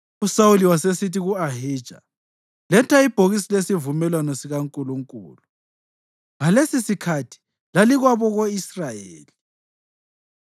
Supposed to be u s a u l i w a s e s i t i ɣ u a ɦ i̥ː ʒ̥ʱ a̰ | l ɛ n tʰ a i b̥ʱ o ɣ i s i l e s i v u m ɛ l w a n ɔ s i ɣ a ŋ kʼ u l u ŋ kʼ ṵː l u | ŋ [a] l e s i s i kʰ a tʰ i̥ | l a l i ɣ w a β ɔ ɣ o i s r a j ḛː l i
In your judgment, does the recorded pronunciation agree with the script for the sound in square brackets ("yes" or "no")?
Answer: yes